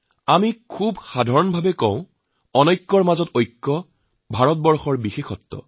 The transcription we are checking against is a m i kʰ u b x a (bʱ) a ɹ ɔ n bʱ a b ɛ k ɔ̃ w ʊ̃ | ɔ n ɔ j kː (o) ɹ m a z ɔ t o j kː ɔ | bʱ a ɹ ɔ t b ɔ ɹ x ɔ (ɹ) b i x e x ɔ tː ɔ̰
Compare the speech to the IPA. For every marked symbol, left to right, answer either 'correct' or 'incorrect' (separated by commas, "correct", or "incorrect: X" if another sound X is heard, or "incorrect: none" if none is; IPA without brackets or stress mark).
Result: incorrect: dʱ, incorrect: ɔ, correct